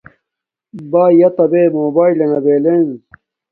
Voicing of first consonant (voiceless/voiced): voiced